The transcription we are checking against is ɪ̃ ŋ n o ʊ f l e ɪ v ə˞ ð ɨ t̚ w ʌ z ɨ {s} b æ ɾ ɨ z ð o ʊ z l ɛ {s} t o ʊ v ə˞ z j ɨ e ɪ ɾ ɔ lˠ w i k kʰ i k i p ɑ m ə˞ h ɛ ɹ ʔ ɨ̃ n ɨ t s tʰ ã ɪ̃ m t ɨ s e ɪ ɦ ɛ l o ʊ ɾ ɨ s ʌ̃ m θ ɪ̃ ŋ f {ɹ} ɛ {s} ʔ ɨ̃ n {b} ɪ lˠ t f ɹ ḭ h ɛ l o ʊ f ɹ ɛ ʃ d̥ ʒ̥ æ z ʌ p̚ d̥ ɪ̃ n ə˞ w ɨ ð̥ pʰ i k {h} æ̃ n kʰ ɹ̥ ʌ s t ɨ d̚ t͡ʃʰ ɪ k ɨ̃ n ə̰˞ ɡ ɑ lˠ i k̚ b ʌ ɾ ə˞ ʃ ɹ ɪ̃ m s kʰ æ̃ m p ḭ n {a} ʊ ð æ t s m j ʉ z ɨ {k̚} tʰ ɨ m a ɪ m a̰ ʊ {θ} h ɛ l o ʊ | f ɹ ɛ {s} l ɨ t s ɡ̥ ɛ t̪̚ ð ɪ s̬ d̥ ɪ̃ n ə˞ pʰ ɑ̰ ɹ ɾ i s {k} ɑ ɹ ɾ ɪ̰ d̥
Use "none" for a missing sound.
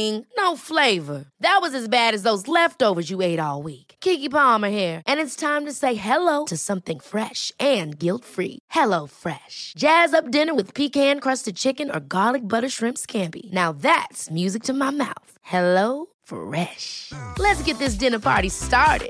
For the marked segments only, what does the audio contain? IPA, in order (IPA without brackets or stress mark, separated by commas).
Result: z, f, ɹ, ʃ, ɡ, h, a, k̚, θ, ʃ, t